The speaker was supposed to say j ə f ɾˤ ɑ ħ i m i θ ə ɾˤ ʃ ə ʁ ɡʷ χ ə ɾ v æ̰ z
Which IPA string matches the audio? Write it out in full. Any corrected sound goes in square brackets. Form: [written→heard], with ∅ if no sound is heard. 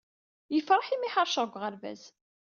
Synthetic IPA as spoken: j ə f ɾˤ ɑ ħ i m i [θ→ħ] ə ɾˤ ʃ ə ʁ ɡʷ [χ→ʁ] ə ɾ v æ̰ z